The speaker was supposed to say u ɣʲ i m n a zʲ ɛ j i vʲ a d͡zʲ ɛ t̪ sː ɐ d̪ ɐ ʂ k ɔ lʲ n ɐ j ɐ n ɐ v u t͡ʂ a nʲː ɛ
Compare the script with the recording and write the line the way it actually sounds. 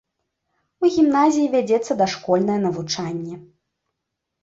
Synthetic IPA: u ɣʲ i m n a zʲ i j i vʲ a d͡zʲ ɛ t̪ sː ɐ d̪ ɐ ʂ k ɔ lʲ n ɐ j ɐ n ɐ v u t͡ʂ a nʲː ɛ